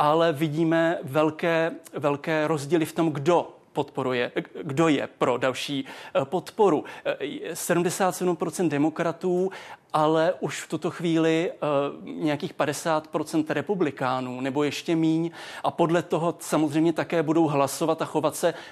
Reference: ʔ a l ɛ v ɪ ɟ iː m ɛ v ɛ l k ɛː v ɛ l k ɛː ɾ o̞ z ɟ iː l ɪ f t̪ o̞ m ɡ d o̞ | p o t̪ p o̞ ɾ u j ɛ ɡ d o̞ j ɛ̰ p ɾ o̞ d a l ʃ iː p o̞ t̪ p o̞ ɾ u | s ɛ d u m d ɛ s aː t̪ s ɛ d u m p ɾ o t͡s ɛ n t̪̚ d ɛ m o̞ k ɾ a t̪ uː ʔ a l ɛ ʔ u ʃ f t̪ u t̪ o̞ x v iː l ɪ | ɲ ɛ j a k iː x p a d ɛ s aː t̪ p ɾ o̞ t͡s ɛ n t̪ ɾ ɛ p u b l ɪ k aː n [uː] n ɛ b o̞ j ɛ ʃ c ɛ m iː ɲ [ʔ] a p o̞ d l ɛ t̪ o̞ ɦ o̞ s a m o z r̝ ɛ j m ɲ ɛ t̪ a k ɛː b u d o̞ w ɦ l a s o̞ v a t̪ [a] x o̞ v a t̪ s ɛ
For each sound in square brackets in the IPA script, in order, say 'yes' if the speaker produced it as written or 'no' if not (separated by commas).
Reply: yes, yes, yes